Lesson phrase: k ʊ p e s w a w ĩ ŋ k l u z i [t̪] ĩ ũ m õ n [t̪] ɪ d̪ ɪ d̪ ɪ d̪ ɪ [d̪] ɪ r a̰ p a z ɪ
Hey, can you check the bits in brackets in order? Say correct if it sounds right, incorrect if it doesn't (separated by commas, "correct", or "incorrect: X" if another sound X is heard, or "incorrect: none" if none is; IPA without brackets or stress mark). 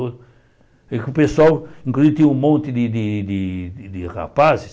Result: correct, correct, correct